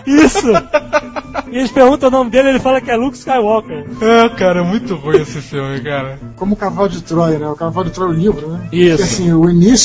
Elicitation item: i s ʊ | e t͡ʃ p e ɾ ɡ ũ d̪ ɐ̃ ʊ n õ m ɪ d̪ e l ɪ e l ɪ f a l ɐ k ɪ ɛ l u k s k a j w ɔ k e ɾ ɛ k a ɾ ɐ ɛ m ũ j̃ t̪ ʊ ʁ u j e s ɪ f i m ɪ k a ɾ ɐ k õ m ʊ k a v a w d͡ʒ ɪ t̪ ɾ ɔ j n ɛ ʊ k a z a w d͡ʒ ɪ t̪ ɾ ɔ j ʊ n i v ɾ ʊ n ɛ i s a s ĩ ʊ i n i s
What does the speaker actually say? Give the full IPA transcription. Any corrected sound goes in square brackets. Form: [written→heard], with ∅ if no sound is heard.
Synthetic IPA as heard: i s ʊ | e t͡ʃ p e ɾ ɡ ũ [d̪→t̪] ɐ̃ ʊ n õ m ɪ d̪ e l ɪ e l ɪ f a l ɐ k ɪ ɛ l u k s k a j w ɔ k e ɾ ɛ k a ɾ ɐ ɛ m ũ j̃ t̪ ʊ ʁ u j e s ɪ f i m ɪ k a ɾ ɐ k õ m ʊ k a v a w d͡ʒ ɪ t̪ ɾ ɔ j n ɛ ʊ k a [z→v] a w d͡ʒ ɪ t̪ ɾ ɔ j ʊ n i v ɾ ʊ n ɛ i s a s ĩ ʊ i n i s